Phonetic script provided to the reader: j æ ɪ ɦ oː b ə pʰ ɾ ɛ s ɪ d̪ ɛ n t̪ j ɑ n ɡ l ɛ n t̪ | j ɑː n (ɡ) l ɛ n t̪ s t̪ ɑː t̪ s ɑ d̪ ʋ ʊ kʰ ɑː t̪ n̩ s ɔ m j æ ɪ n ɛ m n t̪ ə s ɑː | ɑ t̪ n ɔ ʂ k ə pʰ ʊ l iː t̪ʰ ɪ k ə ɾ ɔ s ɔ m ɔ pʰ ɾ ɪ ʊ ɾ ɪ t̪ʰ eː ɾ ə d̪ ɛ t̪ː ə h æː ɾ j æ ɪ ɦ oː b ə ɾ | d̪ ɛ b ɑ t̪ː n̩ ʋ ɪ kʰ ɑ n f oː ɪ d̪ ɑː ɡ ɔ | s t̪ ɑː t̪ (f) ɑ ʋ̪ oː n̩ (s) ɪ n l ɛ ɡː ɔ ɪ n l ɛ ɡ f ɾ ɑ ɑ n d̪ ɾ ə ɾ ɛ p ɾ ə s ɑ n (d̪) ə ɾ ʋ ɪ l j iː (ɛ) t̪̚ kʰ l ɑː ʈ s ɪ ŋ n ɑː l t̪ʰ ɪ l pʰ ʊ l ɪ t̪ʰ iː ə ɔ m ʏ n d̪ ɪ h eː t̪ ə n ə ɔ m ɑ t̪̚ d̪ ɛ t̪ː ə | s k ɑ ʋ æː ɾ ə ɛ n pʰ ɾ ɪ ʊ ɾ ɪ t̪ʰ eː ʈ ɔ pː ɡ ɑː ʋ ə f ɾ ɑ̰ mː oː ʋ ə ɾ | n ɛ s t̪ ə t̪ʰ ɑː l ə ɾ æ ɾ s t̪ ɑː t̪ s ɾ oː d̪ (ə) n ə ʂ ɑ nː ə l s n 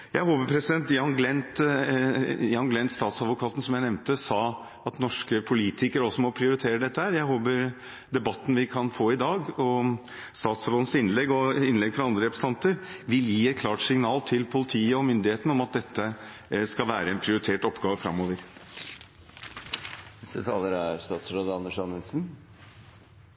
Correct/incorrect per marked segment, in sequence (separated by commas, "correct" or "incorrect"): correct, incorrect, correct, incorrect, correct, incorrect